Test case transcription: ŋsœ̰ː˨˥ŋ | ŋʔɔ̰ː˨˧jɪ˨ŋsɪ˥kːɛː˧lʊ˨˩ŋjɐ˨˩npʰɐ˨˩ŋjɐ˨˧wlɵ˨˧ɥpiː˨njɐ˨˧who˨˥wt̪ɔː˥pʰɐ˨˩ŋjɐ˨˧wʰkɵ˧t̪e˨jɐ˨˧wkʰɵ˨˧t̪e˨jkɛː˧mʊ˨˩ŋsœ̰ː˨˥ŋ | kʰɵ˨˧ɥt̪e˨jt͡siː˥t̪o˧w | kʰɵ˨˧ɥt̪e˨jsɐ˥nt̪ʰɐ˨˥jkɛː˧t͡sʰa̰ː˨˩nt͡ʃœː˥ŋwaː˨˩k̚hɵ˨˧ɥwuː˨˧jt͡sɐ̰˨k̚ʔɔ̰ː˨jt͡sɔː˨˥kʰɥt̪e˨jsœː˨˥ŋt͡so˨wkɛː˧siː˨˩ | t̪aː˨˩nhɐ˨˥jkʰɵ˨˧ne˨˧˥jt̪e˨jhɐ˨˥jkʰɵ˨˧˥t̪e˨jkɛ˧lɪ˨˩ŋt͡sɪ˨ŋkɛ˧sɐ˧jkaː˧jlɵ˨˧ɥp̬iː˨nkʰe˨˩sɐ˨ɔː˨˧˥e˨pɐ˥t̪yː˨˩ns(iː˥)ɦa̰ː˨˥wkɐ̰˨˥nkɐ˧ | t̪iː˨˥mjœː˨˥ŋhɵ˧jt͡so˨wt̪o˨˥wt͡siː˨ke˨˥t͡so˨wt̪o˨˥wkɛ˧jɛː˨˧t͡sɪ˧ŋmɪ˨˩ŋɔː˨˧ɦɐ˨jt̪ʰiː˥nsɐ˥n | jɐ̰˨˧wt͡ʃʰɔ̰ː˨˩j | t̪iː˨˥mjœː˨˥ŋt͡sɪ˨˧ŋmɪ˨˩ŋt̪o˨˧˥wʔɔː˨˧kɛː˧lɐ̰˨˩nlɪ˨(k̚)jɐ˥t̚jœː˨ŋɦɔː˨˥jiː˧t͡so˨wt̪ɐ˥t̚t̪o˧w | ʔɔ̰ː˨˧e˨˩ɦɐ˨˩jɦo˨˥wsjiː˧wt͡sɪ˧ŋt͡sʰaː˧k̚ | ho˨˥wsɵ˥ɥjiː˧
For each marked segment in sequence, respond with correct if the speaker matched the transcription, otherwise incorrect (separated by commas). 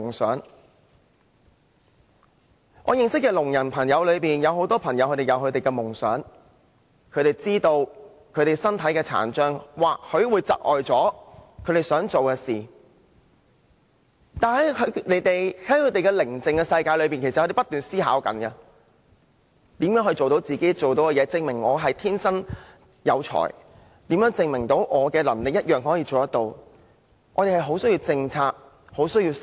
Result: correct, correct